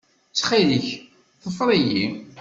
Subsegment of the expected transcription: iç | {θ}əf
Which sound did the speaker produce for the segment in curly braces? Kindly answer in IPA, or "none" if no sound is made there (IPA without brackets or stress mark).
θ